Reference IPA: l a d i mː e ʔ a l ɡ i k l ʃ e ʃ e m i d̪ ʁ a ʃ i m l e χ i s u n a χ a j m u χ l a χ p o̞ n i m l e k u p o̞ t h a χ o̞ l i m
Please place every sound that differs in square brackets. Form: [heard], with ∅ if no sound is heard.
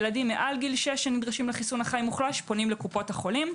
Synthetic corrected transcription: l a d i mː e ʔ a l ɡ i [∅] l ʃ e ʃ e [n] i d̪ ʁ a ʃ i m l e χ i s u n a χ a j m u χ l a [ʃ] p o̞ n i m l e k u p o̞ t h a χ o̞ l i m